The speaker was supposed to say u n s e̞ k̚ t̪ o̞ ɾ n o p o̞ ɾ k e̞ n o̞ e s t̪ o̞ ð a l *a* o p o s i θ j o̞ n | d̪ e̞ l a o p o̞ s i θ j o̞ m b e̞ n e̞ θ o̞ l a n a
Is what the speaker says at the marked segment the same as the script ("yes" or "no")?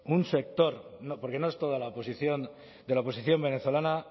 yes